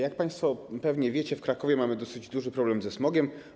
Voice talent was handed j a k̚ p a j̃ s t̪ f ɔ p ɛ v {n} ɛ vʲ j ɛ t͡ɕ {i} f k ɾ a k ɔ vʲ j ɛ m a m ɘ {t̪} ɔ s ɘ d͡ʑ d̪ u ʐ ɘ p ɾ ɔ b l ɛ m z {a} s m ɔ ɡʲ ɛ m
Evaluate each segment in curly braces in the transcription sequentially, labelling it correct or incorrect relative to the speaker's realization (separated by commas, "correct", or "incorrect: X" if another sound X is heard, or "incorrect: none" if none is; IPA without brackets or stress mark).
incorrect: ɲ, incorrect: ɛ, incorrect: d̪, incorrect: ɛ